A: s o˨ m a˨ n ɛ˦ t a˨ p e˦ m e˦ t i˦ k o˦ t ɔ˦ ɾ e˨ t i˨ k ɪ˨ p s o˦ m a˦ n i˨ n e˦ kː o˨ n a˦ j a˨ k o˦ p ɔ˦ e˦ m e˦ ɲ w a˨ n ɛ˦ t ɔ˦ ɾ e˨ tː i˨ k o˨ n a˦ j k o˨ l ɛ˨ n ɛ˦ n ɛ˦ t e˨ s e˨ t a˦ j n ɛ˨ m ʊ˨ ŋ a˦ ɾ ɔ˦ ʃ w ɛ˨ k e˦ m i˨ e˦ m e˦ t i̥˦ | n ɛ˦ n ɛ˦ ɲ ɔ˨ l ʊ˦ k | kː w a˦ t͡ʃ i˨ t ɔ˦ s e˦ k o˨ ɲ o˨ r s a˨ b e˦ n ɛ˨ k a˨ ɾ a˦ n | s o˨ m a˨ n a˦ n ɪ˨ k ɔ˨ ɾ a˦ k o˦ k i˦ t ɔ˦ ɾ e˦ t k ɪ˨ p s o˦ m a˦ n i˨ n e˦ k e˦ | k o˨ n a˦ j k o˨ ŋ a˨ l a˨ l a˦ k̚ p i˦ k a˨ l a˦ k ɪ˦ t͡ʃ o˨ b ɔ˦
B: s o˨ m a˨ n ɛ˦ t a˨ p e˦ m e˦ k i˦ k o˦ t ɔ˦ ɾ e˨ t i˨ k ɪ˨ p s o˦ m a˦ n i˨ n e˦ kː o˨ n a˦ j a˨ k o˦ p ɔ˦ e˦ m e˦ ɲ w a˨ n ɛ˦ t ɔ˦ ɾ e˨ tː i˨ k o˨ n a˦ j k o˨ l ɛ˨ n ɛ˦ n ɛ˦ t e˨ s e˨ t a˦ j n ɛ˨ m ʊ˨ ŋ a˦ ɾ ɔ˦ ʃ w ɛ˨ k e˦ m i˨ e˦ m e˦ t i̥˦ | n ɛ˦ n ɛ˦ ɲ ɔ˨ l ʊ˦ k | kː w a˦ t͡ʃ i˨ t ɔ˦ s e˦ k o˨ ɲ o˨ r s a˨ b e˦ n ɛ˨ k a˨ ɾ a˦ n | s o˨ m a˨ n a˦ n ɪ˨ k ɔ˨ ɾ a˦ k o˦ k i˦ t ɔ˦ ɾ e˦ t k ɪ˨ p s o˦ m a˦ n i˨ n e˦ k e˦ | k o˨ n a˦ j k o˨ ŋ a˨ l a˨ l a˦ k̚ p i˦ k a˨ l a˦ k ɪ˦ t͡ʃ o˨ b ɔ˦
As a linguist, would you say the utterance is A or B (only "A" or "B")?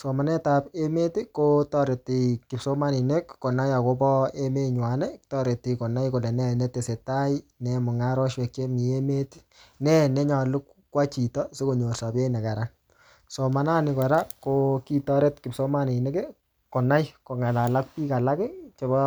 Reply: A